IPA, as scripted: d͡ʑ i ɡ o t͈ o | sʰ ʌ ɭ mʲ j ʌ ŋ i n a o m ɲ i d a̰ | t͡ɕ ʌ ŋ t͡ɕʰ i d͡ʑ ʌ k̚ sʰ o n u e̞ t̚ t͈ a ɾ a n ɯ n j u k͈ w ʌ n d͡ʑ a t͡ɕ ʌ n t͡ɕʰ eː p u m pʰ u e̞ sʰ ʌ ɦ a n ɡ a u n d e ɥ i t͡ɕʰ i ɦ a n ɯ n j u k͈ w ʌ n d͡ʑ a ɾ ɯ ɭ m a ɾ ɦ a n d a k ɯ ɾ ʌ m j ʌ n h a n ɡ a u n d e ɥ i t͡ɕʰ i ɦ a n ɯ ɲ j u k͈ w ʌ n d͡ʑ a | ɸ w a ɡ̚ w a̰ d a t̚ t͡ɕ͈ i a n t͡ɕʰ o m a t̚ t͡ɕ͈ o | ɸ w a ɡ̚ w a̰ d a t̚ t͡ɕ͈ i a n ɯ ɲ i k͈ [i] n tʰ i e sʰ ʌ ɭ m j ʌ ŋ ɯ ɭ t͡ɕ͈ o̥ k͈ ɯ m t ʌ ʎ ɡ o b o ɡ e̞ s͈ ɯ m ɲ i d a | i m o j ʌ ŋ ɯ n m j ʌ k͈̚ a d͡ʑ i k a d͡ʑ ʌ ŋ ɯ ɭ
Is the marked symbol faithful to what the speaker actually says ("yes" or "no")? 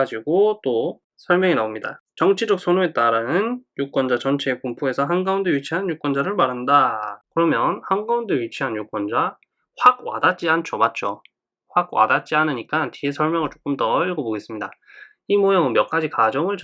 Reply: no